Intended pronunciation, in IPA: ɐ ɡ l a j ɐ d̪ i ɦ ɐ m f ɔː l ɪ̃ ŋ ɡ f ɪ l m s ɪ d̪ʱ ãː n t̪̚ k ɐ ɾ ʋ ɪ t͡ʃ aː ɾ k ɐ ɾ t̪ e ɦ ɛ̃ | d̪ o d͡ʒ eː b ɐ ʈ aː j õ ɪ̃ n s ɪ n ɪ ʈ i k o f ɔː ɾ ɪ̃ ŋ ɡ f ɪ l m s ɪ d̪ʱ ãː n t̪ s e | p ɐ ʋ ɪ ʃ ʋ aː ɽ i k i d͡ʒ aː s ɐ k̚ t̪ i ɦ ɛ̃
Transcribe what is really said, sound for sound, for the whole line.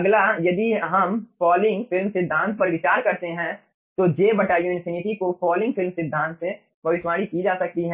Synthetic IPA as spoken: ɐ ɡ l a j ɐ d̪ i ɦ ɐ m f ɔː l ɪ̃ ŋ ɡ f ɪ l m s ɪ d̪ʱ ãː n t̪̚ p ɐ ɾ ʋ ɪ t͡ʃ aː ɾ k ɐ ɾ t̪ e ɦ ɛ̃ | t̪ o d͡ʒ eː b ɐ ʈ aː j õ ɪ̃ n s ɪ n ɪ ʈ i k o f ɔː l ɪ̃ ŋ ɡ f ɪ l m s ɪ d̪ʱ ãː n t̪ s e | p ɐ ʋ ɪ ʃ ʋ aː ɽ i k i d͡ʒ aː s ɐ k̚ t̪ i ɦ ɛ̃